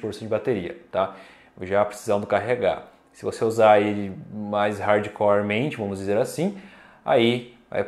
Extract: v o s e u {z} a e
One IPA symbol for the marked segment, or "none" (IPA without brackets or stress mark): z